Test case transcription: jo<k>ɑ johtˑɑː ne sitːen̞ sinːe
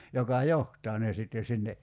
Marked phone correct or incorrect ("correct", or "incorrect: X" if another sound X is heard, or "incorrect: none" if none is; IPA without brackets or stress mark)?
correct